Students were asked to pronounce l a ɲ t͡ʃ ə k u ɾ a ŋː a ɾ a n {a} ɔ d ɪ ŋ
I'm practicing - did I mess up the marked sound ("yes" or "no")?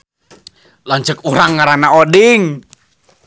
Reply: no